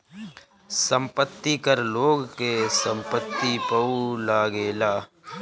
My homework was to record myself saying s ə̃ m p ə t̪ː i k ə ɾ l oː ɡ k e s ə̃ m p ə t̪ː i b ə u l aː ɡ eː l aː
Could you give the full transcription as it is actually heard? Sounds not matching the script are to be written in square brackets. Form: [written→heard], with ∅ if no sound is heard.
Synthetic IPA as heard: s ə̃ m p ə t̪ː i k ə ɾ l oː ɡ k e s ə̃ m p ə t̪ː i [b→p] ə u l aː ɡ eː l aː